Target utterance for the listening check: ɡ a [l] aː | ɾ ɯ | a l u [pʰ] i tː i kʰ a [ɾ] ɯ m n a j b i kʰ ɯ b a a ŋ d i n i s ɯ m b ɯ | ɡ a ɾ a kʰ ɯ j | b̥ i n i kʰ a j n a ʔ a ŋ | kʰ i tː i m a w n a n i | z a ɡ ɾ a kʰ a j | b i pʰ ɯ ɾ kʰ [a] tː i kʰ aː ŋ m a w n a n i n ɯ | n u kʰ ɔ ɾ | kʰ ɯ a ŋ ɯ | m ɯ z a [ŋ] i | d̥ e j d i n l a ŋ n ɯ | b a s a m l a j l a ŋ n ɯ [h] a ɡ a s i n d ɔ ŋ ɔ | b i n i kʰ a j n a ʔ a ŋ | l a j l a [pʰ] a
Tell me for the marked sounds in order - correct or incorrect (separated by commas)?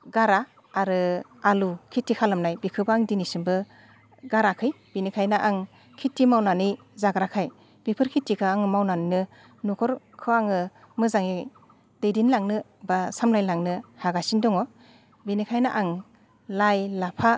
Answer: incorrect, incorrect, incorrect, incorrect, correct, correct, correct